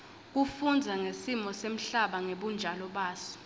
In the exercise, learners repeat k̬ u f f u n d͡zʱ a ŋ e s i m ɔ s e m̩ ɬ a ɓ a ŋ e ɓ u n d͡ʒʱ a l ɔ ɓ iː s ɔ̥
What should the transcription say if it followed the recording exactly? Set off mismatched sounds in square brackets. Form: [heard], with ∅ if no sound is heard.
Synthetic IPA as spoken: k̬ u f f u n d͡zʱ a ŋ e s i m ɔ s e m̩ ɬ a ɓ a ŋ e ɓ u n d͡ʒʱ a l ɔ ɓ [aː] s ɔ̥